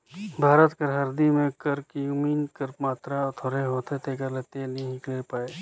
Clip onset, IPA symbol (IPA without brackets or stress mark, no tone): bʱ